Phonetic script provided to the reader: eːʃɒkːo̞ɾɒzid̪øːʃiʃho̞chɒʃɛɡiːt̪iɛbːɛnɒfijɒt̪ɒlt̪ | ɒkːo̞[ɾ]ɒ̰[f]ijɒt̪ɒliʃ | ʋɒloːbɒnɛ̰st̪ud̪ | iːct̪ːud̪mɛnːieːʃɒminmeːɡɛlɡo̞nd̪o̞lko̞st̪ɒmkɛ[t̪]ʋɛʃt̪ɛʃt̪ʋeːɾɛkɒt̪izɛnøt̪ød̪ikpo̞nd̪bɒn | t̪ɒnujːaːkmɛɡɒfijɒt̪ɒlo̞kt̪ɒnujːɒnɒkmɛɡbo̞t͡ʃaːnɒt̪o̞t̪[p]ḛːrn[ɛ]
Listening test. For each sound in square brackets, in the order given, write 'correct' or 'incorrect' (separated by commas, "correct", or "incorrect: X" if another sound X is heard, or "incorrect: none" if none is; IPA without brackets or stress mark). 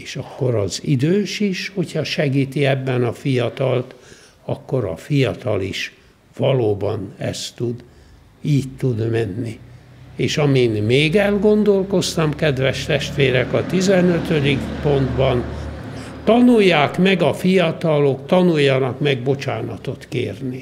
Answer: correct, correct, incorrect: d̪, incorrect: k, incorrect: i